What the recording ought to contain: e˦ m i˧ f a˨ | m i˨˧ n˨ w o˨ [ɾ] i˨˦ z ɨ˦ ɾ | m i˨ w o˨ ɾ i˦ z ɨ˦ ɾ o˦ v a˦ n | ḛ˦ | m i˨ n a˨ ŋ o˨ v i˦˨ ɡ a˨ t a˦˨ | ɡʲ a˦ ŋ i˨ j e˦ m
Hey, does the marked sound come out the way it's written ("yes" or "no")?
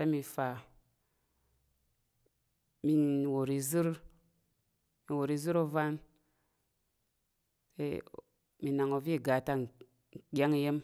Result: yes